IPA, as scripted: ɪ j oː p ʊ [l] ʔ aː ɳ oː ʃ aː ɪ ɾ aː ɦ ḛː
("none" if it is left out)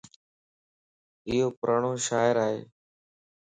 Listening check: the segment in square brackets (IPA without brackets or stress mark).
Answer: ɾ